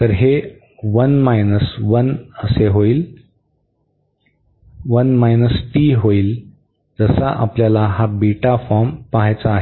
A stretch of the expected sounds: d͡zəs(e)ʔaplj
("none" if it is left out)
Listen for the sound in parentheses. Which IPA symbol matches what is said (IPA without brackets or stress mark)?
a